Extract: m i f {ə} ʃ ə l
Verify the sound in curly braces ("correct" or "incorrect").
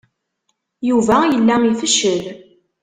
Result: correct